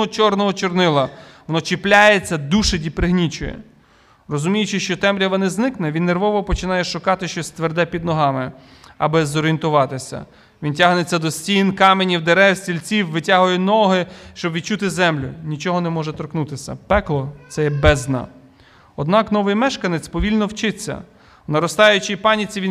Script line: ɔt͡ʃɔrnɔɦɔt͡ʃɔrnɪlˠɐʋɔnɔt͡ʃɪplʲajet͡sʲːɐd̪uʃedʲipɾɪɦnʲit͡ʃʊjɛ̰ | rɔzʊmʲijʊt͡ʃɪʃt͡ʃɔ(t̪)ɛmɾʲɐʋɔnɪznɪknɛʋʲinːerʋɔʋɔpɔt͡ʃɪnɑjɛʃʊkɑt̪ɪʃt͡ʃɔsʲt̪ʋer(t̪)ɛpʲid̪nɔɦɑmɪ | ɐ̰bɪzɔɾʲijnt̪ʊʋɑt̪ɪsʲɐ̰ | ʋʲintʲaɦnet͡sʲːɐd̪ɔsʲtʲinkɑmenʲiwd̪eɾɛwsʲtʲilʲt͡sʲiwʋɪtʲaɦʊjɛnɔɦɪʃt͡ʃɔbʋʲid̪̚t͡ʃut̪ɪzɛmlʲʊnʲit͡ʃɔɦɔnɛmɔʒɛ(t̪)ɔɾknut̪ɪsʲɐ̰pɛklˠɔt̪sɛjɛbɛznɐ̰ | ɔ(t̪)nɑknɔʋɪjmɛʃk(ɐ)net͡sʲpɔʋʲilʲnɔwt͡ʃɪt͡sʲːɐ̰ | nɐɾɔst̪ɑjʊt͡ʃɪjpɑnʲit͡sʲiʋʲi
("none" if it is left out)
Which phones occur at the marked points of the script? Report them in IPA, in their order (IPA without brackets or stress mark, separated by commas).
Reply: t̪, d̪, t̪, d̪, ɐ